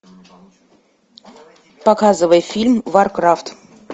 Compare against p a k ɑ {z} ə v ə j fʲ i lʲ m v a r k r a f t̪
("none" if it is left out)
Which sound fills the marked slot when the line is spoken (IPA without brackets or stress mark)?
z